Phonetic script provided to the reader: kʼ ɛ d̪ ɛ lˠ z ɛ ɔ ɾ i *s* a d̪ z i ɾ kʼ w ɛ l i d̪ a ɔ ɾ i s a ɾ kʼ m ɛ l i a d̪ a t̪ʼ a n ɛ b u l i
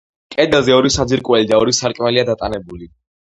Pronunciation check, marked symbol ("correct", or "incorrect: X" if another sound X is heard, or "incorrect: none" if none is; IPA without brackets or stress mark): correct